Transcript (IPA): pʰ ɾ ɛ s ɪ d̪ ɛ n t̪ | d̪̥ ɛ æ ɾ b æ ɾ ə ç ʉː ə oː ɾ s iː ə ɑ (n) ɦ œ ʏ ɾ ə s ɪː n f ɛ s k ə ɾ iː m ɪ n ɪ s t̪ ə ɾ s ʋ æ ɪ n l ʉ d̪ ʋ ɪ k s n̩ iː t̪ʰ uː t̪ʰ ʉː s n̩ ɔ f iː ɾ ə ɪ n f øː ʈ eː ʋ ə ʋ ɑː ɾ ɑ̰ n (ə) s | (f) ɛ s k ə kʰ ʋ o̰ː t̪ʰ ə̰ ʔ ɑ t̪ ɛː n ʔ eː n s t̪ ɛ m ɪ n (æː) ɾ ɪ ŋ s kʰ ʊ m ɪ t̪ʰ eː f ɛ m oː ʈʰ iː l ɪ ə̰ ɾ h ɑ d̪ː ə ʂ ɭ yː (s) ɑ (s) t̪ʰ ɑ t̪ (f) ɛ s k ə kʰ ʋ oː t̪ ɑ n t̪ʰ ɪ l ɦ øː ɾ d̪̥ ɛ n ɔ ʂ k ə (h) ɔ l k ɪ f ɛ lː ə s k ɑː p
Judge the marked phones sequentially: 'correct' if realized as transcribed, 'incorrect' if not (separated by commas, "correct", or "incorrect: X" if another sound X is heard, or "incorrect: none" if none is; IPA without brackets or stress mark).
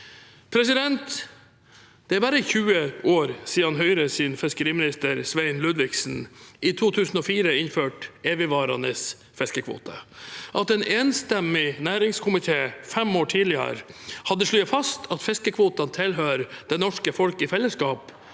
correct, correct, correct, correct, incorrect: f, correct, correct, incorrect: f